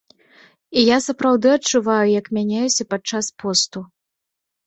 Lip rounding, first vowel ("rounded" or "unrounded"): unrounded